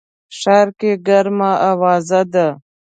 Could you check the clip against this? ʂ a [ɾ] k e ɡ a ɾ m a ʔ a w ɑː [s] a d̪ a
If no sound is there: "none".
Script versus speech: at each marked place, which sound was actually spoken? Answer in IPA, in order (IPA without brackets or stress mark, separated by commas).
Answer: ɾ, z